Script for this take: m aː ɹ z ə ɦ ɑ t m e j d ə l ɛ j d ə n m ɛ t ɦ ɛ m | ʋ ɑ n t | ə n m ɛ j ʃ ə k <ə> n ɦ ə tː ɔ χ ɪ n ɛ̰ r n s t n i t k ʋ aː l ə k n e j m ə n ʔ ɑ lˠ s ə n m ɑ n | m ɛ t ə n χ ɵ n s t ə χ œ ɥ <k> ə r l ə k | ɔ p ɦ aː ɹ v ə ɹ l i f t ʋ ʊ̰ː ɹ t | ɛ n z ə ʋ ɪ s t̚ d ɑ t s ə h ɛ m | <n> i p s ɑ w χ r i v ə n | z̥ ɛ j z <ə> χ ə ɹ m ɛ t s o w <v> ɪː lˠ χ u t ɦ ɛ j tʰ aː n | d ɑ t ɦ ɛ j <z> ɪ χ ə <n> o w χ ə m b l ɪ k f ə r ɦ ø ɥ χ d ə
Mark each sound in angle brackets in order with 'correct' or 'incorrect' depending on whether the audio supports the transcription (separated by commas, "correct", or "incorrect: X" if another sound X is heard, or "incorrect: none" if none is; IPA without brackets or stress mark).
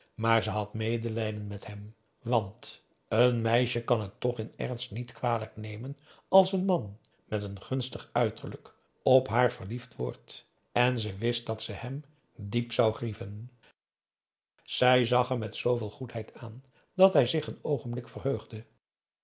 incorrect: ɑ, incorrect: t, incorrect: d, incorrect: ɑ, correct, correct, correct